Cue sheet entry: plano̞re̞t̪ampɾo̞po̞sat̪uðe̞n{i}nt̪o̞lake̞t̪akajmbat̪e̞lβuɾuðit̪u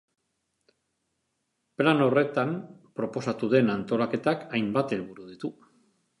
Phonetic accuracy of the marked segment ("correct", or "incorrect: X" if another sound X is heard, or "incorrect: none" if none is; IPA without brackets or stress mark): incorrect: a